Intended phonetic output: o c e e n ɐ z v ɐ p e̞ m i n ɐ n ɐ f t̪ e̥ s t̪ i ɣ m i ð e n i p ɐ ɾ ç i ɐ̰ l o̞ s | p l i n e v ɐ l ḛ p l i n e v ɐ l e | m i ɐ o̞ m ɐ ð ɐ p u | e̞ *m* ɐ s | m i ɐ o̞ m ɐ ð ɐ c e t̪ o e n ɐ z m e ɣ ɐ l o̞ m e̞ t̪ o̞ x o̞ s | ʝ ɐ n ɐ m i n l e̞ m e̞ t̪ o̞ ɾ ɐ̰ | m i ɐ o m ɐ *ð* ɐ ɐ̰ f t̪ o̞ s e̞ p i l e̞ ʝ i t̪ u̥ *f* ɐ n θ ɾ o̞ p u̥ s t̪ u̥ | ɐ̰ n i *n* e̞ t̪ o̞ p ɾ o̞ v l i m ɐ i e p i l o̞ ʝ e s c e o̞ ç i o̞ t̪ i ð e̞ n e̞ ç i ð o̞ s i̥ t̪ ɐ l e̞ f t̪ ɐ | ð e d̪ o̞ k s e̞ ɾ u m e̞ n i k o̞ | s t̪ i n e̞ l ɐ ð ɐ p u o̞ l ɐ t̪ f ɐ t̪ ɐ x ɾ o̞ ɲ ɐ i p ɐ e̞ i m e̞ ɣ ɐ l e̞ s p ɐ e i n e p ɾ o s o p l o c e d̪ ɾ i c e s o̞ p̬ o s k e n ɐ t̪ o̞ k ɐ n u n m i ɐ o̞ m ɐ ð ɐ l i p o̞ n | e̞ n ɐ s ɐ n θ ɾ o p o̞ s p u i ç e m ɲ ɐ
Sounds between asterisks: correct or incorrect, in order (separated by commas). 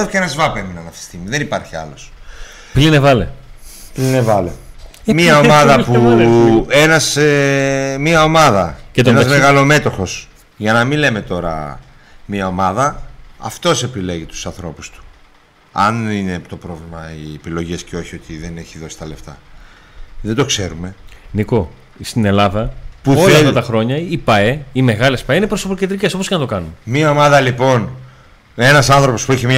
incorrect, correct, incorrect, correct